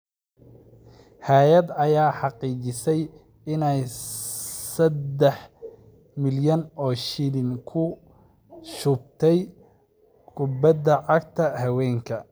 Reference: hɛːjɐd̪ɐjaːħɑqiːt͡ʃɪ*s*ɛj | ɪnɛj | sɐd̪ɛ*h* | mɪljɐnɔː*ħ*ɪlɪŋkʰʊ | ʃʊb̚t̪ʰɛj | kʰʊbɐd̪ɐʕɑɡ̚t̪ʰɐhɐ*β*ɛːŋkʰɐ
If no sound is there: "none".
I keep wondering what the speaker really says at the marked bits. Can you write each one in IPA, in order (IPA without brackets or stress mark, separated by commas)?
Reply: s, ħ, ʃ, w